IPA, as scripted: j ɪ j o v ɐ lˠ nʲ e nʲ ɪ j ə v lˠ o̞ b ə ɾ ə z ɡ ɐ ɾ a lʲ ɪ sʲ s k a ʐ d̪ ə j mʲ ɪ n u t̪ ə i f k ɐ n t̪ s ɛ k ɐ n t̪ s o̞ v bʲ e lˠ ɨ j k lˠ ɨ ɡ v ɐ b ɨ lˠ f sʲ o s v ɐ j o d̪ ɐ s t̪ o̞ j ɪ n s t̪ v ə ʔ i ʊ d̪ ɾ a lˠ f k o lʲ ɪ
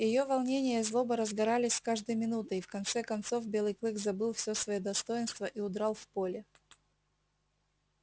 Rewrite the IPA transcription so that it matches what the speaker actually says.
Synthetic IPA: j ɪ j o v ɐ lˠ nʲ e nʲ ɪ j ə z lˠ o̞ b ə ɾ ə z ɡ ɐ ɾ a lʲ ɪ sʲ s k a ʐ d̪ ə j mʲ ɪ n u t̪ ə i f k ɐ n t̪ s ɛ k ɐ n t̪ s o̞ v bʲ e lˠ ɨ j k lˠ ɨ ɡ z ɐ b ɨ lˠ f sʲ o s v ɐ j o d̪ ɐ s t̪ o̞ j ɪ n s t̪ v ə ʔ i ʊ d̪ ɾ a lˠ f p o lʲ ɪ